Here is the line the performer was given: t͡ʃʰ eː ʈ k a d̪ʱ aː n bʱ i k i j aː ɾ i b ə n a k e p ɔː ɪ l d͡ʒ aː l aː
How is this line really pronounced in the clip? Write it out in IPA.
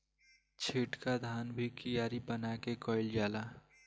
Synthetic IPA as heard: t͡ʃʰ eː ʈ k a d̪ʱ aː n bʱ i k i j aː ɾ i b ə n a k e k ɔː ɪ l d͡ʒ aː l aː